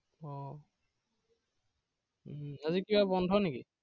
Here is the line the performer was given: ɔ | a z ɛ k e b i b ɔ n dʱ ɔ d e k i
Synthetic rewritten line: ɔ | a z i k i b a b ɔ n dʱ ɔ n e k i

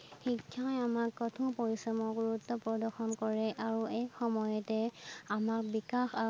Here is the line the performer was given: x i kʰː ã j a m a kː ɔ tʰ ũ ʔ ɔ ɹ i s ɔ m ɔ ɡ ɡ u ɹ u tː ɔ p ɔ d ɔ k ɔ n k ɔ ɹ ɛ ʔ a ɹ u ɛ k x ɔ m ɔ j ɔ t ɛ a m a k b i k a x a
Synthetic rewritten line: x i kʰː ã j a m a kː ɔ tʰ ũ p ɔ ɹ i s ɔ m ɔ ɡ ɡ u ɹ u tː ɔ p ɔ d ɔ x ɔ n k ɔ ɹ ɛ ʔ a ɹ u ɛ k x ɔ m ɔ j ɔ t ɛ a m a k b i k a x a

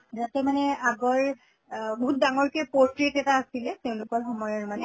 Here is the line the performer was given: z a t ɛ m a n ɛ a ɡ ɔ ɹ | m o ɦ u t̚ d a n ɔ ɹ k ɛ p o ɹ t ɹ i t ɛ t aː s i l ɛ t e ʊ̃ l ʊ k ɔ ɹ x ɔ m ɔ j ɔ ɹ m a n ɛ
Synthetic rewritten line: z a t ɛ m a n ɛ a ɡ ɔ ɹ | b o ɦ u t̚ d a ŋ ɔ ɹ k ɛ p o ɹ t ɹ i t ɛ t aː s i l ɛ t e ʊ̃ l ʊ k ɔ ɹ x ɔ m ɔ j ɔ ɹ m a n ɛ

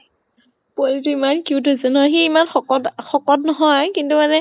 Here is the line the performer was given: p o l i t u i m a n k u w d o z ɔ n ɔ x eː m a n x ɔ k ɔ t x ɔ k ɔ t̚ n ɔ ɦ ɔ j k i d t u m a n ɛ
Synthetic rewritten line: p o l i t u i m a n k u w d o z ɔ n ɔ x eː m a n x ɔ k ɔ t x ɔ k ɔ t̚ n ɔ ɦ ɔ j k i n t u m a n ɛ

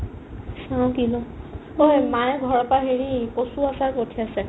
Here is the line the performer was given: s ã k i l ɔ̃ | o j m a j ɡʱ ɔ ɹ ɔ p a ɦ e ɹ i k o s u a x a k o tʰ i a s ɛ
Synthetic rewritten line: s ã k i l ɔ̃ | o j m a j ɡʱ ɔ ɹ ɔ p a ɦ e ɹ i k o s u a s a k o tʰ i a s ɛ

